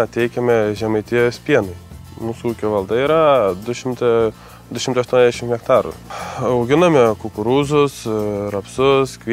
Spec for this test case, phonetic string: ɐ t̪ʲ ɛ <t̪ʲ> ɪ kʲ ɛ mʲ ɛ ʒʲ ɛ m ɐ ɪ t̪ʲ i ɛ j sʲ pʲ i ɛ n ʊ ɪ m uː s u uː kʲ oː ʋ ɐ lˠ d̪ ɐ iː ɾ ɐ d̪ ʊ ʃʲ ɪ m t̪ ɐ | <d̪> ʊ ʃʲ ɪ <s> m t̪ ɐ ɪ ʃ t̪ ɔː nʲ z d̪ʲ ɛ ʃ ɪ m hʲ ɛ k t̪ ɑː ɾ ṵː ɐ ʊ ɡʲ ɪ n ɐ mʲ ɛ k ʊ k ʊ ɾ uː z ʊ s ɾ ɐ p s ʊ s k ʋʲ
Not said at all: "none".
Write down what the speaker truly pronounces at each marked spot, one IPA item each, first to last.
none, d̪, none

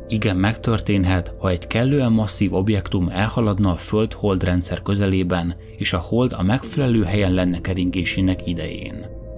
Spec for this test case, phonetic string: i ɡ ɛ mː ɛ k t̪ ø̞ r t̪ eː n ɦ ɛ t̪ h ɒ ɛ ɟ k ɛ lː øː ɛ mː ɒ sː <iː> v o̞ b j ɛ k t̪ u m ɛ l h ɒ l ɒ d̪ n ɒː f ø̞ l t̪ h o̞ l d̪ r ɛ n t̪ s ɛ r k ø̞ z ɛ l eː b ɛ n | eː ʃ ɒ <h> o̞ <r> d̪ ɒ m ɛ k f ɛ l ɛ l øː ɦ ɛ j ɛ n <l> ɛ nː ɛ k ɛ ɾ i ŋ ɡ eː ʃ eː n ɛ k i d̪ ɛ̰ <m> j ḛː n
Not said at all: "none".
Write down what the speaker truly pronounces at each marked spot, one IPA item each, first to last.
iː, h, l, l, none

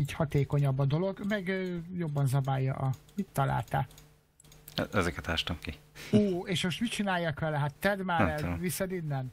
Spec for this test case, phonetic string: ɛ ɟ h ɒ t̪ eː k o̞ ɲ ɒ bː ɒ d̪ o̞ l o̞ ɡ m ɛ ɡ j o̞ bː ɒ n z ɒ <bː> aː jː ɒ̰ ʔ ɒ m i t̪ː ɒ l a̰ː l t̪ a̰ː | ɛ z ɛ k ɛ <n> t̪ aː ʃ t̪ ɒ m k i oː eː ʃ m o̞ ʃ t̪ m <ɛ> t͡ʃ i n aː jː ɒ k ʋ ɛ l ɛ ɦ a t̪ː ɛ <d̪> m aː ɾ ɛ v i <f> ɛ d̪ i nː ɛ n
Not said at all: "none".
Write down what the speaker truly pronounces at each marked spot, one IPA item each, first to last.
b, none, i, d̪, s

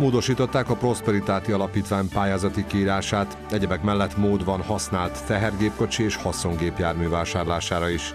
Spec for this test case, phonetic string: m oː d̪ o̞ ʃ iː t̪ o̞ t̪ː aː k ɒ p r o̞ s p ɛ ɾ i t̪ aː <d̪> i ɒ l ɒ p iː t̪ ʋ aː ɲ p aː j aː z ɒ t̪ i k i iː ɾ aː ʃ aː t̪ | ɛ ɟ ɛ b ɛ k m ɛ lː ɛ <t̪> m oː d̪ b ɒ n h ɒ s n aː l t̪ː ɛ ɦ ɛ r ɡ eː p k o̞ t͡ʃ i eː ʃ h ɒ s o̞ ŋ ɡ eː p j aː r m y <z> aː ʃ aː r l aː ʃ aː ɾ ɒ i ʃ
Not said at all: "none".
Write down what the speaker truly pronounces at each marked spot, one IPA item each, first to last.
t̪, t̪, v

